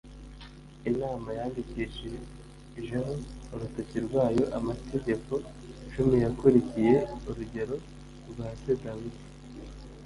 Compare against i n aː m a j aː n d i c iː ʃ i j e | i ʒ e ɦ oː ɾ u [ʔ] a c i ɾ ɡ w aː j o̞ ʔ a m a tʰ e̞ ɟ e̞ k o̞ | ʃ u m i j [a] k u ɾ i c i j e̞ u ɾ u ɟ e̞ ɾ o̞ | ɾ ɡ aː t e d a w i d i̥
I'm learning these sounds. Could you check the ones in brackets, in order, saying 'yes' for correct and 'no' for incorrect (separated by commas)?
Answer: no, yes